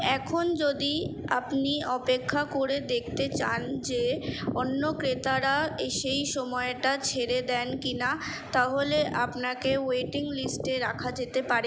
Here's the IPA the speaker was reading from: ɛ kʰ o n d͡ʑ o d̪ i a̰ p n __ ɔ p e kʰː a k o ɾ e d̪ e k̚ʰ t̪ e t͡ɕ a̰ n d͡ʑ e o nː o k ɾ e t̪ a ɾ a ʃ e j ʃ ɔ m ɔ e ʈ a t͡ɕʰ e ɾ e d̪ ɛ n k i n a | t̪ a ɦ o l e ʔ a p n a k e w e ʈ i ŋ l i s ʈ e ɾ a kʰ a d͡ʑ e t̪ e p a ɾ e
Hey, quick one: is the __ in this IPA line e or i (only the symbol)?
i